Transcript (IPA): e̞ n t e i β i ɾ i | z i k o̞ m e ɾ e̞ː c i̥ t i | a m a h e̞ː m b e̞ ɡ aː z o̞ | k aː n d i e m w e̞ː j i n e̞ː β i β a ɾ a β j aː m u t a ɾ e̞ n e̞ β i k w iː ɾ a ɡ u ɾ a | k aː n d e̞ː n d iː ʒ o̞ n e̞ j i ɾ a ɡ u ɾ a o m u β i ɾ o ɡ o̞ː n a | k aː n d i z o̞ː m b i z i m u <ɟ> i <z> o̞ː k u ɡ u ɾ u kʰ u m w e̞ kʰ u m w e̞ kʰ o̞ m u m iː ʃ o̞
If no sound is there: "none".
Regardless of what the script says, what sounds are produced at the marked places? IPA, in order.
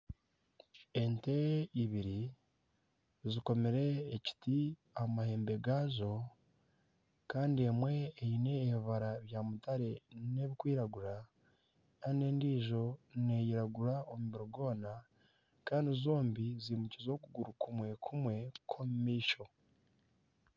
c, z

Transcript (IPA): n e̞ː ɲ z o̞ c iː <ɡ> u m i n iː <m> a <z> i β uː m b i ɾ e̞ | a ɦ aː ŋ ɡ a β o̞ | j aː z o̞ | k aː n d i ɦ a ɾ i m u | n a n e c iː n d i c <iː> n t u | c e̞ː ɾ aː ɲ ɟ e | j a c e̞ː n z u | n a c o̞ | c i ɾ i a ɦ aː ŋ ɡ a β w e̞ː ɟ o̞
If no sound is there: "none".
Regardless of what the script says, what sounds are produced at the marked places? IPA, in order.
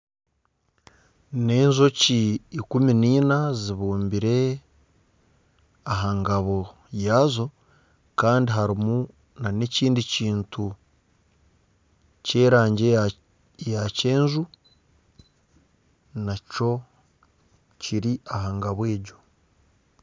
k, n, z, iː

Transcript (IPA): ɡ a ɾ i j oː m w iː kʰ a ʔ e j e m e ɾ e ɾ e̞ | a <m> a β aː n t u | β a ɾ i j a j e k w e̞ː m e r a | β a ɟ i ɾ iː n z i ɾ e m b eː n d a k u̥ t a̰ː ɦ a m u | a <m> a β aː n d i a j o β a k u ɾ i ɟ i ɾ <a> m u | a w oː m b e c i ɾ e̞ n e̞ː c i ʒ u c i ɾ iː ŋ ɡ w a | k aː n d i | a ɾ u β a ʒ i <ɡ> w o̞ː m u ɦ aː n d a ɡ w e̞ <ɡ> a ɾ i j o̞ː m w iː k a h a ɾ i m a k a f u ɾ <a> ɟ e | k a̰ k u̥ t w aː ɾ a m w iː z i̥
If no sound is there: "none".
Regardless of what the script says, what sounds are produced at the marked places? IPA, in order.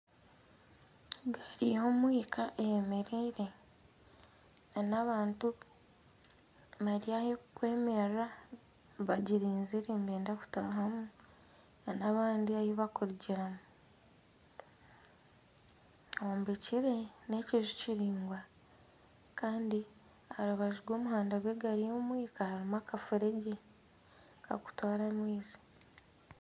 n, n, a, ɡ, ɡ, e

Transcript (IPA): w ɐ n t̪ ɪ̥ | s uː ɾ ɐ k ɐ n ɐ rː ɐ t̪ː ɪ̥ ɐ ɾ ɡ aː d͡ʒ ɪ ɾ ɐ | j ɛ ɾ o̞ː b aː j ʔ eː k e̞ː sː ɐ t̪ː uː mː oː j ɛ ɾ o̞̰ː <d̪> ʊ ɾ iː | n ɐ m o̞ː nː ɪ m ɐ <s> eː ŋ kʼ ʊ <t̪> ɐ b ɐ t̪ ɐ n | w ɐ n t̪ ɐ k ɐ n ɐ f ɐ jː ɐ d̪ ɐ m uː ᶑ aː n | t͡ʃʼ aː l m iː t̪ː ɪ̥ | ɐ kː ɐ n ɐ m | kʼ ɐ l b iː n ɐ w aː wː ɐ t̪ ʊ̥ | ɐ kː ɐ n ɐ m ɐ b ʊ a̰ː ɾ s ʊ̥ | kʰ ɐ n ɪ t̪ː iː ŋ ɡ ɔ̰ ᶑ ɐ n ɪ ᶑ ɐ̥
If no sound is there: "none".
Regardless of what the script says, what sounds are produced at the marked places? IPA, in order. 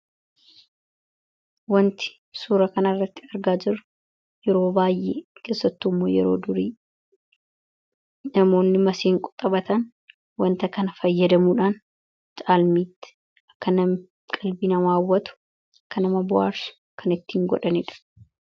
d̪, s, t̪ʼ

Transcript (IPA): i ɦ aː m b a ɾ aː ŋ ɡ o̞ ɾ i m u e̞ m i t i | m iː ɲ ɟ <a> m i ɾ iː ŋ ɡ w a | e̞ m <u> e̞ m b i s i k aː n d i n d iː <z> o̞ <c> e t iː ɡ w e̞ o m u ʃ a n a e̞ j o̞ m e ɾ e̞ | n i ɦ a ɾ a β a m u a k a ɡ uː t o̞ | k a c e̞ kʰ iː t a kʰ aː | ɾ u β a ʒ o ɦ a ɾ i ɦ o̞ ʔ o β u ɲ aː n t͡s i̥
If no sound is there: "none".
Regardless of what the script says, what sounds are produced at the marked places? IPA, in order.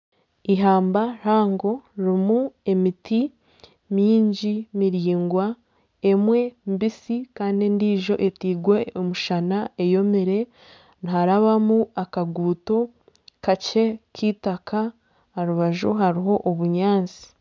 i, w, ʒ, ʔ

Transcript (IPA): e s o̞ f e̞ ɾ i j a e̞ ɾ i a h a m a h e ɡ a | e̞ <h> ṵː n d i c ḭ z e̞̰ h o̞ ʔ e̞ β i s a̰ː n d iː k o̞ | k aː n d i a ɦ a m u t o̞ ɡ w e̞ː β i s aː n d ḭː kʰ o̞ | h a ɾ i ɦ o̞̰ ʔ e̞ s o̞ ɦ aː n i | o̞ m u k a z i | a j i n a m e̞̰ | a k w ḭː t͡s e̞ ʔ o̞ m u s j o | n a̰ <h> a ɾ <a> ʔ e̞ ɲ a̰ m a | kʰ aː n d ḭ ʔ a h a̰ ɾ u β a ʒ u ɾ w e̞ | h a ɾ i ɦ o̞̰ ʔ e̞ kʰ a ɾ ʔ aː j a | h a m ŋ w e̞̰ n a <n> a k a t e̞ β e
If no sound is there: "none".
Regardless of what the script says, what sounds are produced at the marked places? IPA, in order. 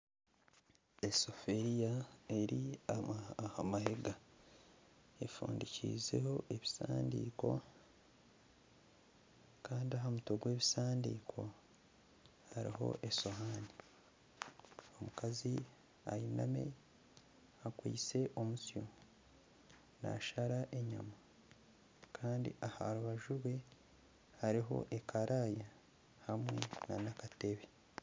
f, ʃ, a, n

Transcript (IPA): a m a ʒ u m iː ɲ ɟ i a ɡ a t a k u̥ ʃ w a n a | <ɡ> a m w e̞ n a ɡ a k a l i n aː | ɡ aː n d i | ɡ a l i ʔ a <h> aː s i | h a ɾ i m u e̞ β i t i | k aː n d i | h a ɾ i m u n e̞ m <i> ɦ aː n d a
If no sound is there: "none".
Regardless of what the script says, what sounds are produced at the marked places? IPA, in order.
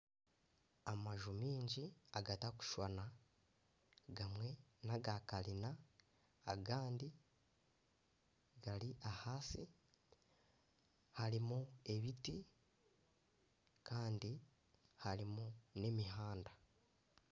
ɡ, h, i

